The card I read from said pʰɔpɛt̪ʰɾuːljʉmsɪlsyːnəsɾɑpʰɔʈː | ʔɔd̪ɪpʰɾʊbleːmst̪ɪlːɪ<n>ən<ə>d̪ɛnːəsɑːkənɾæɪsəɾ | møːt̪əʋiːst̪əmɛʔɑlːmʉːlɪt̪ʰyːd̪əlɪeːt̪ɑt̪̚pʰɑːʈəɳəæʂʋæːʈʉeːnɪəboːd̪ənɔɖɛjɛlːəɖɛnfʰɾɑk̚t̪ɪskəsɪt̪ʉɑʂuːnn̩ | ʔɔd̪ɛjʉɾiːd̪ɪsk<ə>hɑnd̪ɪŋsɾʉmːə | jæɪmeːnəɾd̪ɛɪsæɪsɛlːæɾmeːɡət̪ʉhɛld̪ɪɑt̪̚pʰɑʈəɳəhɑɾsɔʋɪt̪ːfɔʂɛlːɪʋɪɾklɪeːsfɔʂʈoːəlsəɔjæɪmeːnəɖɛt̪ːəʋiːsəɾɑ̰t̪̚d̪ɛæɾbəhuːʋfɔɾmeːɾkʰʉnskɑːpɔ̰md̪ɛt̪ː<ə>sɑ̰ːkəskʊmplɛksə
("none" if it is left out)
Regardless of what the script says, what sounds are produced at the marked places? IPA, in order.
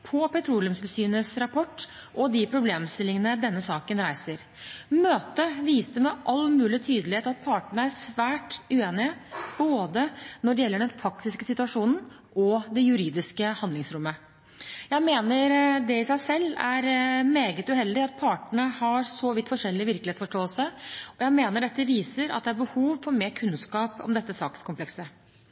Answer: ŋ, ə, ə, ə

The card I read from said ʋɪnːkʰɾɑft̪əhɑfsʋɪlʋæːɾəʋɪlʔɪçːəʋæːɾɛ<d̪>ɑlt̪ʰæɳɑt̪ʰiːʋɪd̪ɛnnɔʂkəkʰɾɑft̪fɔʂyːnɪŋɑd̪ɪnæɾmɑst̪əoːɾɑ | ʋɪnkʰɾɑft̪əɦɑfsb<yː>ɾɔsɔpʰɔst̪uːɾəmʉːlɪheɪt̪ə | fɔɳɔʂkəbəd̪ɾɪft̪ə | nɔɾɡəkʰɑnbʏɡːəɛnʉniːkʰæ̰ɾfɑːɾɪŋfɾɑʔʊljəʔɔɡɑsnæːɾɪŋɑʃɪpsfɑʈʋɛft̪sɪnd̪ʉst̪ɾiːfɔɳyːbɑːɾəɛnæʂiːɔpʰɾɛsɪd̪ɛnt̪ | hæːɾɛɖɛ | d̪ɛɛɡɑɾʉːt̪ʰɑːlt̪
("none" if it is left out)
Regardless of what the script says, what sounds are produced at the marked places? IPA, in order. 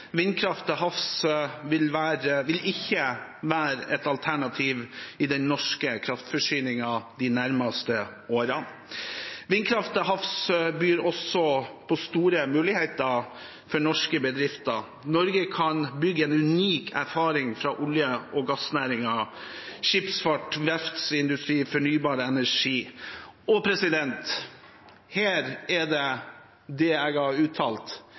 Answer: t̪, yː

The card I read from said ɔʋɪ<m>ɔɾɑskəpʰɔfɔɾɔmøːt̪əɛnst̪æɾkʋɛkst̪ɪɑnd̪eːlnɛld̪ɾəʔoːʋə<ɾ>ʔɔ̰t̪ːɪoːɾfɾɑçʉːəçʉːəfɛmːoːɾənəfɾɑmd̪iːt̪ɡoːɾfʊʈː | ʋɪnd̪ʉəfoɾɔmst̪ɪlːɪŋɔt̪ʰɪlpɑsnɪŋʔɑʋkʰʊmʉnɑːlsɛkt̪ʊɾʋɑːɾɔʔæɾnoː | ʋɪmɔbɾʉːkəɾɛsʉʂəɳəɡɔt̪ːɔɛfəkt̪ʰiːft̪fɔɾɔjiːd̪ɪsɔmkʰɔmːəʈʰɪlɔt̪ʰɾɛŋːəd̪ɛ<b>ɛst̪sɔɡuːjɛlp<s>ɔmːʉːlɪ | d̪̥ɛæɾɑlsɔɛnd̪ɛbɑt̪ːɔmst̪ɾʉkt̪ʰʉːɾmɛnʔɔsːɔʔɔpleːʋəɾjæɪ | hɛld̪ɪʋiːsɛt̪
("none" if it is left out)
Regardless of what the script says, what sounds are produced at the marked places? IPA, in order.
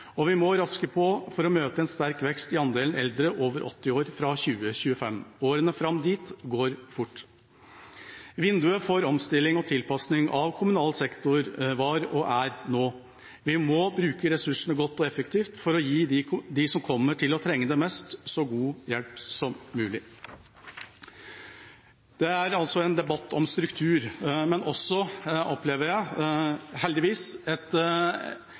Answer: m, ɾ, m, s

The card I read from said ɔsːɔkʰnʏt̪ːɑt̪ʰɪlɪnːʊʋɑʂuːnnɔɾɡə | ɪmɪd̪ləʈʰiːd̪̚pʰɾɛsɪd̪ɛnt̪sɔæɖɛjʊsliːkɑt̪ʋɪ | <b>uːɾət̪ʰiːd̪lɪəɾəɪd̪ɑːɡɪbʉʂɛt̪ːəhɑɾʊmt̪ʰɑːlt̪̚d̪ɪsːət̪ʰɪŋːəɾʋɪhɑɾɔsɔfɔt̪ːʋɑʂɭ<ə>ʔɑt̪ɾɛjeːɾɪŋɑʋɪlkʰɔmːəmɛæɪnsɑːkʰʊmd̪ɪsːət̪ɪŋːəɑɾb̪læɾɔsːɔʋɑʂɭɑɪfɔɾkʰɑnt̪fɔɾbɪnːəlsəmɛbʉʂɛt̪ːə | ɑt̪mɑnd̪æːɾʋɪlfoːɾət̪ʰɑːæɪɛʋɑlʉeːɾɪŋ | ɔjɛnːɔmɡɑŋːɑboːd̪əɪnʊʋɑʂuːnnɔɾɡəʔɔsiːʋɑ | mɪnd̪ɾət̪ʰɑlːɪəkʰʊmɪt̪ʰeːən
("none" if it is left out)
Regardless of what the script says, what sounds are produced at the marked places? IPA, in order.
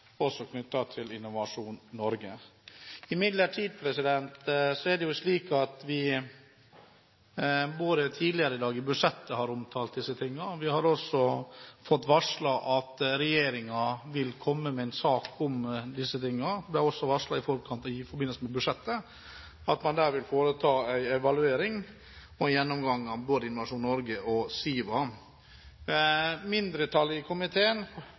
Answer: b, ɑ

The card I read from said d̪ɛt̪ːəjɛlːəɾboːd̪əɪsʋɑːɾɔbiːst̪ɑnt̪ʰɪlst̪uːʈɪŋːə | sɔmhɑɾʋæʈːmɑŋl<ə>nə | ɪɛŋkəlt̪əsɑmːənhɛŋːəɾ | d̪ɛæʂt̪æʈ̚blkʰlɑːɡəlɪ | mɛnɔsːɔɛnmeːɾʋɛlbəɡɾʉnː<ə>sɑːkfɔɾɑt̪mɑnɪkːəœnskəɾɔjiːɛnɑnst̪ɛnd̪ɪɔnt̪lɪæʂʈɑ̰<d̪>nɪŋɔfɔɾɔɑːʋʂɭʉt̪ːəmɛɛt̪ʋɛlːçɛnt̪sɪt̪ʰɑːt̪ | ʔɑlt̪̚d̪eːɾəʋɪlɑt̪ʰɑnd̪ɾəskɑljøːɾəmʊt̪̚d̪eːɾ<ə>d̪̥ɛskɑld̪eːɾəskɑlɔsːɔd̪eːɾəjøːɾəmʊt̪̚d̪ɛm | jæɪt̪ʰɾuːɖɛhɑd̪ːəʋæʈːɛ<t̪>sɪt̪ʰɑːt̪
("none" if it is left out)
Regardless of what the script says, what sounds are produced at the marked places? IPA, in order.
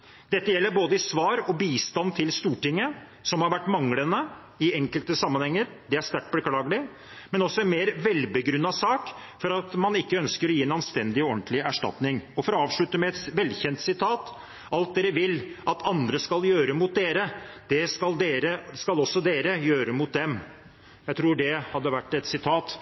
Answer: ə, ɑ, t̪, ə, t̪

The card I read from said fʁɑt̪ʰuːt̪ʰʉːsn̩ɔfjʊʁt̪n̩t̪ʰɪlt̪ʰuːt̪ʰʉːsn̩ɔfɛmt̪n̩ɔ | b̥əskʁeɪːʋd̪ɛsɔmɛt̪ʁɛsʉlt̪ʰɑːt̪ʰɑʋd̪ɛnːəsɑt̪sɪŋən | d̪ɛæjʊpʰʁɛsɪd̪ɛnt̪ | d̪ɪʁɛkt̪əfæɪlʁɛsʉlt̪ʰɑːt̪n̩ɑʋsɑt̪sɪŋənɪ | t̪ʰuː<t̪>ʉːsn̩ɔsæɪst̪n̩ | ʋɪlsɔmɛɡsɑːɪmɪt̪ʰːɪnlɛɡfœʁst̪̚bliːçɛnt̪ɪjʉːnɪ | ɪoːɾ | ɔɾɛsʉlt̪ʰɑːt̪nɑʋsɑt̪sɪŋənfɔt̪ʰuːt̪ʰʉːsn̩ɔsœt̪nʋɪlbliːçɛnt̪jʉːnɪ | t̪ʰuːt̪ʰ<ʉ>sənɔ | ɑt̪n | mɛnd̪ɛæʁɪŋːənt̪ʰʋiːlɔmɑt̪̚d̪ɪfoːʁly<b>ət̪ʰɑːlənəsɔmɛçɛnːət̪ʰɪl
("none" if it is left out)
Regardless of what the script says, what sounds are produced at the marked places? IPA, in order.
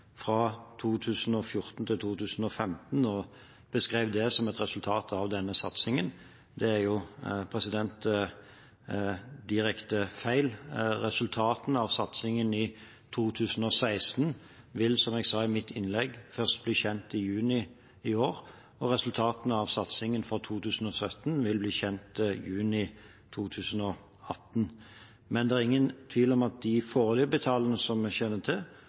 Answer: t̪ʰ, ʉː, b

